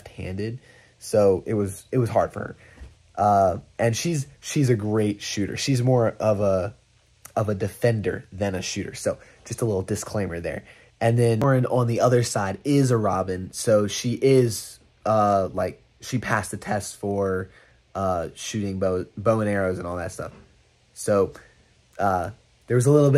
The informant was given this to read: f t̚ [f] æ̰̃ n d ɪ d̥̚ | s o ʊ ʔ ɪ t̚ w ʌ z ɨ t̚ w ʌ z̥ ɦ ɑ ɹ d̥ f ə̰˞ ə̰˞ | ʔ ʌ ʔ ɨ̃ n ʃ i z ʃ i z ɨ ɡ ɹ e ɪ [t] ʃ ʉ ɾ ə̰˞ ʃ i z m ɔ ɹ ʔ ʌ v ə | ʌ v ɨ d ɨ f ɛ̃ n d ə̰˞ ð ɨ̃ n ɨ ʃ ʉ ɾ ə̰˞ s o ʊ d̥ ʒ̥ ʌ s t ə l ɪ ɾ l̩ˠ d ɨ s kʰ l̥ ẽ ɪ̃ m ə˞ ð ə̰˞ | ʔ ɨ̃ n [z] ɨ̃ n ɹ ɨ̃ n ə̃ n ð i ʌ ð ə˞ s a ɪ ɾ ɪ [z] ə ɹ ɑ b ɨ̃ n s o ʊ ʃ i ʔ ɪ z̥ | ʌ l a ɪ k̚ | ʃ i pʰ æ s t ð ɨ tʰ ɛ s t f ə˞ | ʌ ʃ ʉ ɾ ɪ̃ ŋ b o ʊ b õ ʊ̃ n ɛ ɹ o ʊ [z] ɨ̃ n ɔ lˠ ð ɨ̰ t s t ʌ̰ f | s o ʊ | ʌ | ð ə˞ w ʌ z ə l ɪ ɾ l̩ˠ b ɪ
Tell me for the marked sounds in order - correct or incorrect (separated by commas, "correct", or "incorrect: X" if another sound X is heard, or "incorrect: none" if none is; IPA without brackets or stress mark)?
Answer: incorrect: h, correct, incorrect: ð, correct, correct